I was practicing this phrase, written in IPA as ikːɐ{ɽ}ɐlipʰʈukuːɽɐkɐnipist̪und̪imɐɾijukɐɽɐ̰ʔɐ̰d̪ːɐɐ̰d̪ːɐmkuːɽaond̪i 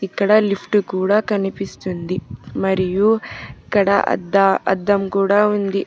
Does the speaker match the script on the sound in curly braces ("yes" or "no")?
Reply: yes